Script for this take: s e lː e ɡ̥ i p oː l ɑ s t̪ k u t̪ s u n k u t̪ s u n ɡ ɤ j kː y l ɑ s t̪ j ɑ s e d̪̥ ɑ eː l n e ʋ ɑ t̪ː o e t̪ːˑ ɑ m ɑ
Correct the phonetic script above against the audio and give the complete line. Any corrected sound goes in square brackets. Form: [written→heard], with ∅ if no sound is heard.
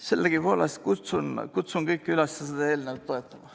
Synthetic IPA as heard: s e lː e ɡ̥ i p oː l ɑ s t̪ k u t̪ s u n k u t̪ s u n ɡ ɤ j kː y l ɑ s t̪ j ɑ s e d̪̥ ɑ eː l n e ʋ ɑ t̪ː o e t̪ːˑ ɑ m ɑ